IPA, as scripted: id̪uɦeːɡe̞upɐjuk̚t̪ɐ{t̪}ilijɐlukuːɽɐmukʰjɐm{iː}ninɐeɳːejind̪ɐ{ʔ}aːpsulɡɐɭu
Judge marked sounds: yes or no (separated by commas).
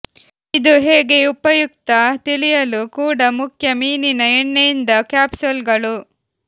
yes, yes, no